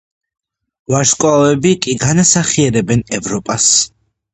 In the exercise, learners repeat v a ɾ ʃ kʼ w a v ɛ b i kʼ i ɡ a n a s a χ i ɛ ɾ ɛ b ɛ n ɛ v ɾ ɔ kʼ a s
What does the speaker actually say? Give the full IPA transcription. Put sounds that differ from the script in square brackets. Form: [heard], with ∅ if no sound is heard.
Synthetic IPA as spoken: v a ɾ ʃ kʼ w a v ɛ b i kʼ i ɡ a n a s a χ i ɛ ɾ ɛ b ɛ n ɛ v ɾ ɔ [pʼ] a s